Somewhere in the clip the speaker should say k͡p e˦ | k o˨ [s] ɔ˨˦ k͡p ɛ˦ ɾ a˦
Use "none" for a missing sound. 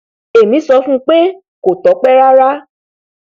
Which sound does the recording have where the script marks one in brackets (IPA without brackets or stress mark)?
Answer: t